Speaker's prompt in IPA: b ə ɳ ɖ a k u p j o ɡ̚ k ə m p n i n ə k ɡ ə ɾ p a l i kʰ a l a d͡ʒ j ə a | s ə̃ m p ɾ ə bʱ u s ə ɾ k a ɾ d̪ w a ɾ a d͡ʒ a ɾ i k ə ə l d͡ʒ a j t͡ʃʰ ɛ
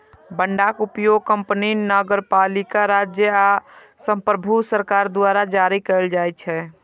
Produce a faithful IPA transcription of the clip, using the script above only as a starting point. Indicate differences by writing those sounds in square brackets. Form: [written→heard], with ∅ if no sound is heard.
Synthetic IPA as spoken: b ə ɳ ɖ a k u p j o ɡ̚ k ə m p n i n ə [k→∅] ɡ ə ɾ p a l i [kʰ→k] a [l→ɾ] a d͡ʒ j ə a | s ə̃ m p ɾ ə bʱ u s ə ɾ k a ɾ d̪ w a ɾ a d͡ʒ a ɾ i k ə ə l d͡ʒ a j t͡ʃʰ ɛ

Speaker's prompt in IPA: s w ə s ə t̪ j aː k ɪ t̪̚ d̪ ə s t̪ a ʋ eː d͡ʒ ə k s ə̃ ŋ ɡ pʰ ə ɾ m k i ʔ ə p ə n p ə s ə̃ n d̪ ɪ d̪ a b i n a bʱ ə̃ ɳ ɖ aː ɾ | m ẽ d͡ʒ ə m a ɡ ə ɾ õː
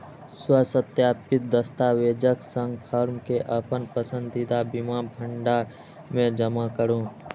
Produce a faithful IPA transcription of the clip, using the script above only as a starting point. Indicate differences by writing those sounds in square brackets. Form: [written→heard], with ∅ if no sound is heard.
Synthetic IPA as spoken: s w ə s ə t̪ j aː [k→p] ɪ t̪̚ d̪ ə s t̪ a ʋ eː d͡ʒ ə k s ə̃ ŋ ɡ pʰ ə ɾ m k [i→e] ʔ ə p ə n p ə s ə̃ n d̪ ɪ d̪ a b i [n→m] a bʱ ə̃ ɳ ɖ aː ɾ | m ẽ d͡ʒ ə m a [ɡ→k] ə ɾ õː

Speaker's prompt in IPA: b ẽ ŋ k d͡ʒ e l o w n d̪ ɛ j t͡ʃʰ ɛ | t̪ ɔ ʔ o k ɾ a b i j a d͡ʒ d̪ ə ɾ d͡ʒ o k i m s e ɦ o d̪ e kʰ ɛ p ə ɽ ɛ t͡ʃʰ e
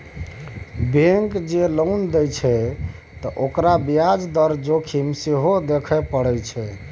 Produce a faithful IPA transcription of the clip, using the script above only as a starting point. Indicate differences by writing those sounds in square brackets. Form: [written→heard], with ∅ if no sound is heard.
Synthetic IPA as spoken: b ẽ ŋ k d͡ʒ e l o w n d̪ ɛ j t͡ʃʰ ɛ | t̪ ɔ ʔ o k ɾ a b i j a d͡ʒ d̪ ə ɾ d͡ʒ o [k→kʰ] i m s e ɦ o d̪ e kʰ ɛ p ə ɽ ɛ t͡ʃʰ [e→ɛ]

